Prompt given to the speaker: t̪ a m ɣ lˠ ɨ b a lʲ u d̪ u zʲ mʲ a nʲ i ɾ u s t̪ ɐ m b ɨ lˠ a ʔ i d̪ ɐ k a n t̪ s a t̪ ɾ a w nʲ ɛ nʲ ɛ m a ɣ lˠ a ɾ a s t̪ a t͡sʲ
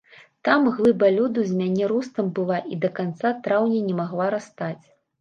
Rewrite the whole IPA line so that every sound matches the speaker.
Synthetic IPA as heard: t̪ a m ɣ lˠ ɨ b a lʲ u d̪ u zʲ mʲ a nʲ ɛ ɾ u s t̪ ɐ m b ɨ lˠ a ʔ i d̪ ɐ k a n t̪ s a t̪ ɾ a w nʲ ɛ nʲ ɛ m a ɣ lˠ a ɾ a s t̪ a t͡sʲ